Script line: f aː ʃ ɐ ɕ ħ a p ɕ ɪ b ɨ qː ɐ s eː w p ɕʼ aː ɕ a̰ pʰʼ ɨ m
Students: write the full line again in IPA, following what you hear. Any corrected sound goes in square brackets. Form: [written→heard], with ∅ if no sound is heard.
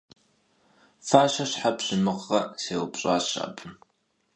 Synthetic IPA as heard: f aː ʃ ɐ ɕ ħ a p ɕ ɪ [b→m] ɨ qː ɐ s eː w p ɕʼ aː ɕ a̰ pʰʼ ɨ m